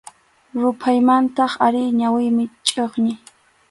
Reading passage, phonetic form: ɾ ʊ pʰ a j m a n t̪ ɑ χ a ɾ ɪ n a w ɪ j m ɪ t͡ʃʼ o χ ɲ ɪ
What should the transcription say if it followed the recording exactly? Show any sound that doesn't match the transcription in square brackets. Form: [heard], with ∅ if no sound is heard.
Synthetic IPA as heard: ɾ ʊ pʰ a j m a n t̪ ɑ χ a ɾ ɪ [ɲ] a w ɪ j m ɪ t͡ʃʼ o χ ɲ ɪ